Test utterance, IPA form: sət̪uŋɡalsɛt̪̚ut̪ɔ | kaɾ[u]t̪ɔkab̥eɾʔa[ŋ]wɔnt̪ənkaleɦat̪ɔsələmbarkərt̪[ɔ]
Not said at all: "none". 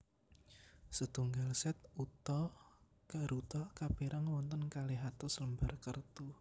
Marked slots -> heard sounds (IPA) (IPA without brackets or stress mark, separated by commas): u, ŋ, u